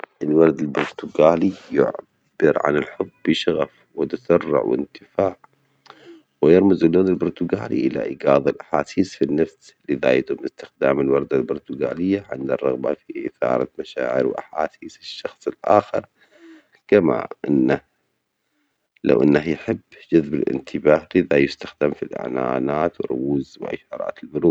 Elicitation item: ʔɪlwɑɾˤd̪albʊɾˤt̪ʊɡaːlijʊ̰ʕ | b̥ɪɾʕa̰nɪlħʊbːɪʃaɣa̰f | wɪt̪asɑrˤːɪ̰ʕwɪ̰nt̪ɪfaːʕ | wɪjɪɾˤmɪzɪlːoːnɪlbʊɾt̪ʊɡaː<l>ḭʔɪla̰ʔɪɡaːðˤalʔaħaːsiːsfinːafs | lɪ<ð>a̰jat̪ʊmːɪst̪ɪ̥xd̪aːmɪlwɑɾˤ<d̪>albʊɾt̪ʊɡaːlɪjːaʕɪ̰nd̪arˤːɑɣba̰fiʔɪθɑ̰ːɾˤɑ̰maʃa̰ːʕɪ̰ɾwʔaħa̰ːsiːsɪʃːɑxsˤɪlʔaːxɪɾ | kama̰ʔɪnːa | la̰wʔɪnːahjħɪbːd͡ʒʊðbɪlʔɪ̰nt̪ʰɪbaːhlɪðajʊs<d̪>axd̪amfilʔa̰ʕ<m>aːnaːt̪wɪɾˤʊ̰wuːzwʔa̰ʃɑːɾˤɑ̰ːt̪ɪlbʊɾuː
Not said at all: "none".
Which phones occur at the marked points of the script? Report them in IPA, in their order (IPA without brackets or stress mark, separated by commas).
l, ð, d̪, t̪, n